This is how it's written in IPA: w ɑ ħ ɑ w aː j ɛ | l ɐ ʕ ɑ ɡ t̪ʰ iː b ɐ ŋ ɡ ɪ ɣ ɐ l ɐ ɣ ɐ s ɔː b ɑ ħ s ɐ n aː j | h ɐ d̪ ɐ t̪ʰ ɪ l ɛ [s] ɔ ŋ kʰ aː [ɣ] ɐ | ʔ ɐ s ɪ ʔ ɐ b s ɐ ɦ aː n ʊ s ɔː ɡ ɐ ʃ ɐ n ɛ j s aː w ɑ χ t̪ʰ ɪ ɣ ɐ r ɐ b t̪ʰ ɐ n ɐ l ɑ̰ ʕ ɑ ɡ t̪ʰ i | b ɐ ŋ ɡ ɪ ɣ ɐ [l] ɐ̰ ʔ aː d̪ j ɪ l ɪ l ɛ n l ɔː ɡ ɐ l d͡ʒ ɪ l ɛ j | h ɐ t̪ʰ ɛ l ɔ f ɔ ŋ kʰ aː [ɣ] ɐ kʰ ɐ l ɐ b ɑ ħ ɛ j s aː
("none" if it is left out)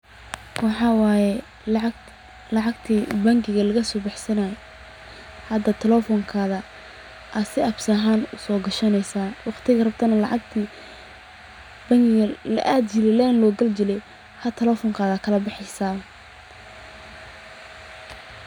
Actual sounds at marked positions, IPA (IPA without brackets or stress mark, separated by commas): f, ð, l, ð